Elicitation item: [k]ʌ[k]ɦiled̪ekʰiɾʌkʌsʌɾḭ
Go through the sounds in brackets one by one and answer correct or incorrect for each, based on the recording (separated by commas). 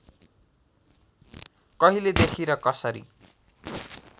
correct, incorrect